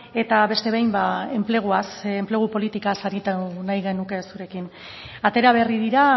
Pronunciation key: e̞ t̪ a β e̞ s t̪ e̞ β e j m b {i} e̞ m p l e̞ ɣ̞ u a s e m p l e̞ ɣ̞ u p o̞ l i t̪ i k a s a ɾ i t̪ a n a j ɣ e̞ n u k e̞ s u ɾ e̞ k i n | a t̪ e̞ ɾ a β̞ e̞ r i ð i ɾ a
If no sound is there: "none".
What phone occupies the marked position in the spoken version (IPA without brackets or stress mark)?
a